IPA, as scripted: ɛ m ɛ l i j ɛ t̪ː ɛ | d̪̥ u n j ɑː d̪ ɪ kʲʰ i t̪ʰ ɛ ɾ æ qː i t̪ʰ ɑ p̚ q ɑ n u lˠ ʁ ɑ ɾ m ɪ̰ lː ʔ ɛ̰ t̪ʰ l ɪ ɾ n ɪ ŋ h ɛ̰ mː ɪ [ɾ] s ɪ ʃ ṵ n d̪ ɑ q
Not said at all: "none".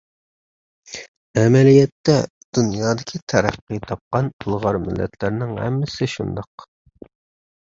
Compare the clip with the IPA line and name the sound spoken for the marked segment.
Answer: none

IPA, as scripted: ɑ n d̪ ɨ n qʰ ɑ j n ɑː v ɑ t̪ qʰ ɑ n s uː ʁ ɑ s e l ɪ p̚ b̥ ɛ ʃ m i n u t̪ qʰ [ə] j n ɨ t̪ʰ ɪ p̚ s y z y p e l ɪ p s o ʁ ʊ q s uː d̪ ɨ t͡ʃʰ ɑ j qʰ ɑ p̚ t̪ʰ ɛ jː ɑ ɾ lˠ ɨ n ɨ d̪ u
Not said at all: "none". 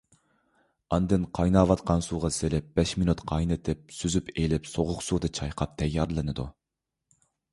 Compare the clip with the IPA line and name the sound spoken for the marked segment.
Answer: ɑ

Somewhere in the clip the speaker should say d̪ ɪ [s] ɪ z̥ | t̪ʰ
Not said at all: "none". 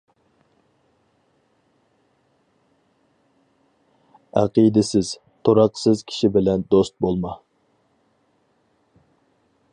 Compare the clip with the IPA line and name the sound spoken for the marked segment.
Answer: s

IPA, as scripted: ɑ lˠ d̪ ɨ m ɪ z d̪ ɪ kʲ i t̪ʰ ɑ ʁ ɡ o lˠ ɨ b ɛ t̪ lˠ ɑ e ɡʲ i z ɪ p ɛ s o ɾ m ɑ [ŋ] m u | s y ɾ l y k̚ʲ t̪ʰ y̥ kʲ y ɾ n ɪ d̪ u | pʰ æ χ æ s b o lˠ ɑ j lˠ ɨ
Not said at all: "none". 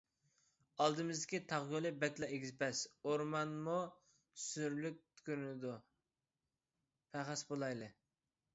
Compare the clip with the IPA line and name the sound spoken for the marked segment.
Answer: n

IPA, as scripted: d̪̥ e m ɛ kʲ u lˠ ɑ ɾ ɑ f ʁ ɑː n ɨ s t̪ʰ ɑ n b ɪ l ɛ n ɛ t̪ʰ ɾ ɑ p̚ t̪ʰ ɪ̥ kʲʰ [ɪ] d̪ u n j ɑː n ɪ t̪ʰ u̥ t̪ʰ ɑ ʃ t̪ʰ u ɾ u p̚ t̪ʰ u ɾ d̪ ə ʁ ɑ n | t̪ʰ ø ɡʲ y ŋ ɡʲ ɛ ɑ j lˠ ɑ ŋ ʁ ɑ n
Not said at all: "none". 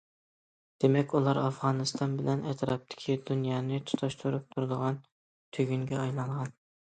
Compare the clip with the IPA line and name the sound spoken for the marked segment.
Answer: i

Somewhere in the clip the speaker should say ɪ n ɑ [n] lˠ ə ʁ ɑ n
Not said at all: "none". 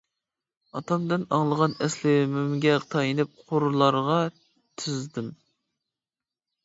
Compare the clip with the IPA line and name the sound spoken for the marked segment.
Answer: ŋ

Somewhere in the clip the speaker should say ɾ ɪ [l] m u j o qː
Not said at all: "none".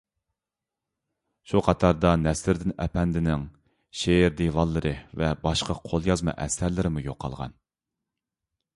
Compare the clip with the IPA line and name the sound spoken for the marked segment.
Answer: none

